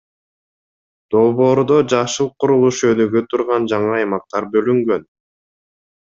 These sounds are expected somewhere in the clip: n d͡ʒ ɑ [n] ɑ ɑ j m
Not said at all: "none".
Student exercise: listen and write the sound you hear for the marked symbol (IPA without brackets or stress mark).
ɴ